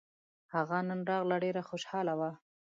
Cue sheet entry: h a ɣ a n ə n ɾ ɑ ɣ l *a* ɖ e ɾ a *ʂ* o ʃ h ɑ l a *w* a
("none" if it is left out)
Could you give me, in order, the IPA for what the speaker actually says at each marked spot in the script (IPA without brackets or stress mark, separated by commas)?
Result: a, x, w